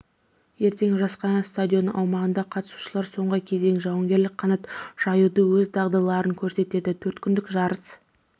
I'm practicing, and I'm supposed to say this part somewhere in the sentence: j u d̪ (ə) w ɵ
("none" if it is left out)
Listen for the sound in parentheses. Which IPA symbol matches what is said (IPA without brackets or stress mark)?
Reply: ə